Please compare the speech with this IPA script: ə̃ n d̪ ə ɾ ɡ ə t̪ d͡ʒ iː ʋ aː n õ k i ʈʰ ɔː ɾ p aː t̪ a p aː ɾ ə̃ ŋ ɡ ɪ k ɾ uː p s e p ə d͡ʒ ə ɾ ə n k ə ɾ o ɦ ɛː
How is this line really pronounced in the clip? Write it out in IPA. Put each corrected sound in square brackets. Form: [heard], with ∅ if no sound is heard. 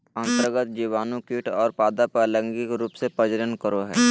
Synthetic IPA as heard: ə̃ n [t̪] ə ɾ ɡ ə t̪ d͡ʒ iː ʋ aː n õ k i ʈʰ ɔː ɾ p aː [d̪] a p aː [l] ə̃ ŋ ɡ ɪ k ɾ uː p s e p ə d͡ʒ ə ɾ ə n k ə ɾ o ɦ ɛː